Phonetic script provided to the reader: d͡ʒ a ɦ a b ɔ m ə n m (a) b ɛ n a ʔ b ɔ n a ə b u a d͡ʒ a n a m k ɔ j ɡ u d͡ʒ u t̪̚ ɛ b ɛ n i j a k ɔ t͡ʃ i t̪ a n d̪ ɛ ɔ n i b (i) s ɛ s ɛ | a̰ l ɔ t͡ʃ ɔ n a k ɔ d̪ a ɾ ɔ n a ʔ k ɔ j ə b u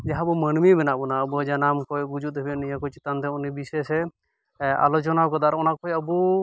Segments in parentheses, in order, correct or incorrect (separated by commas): incorrect, correct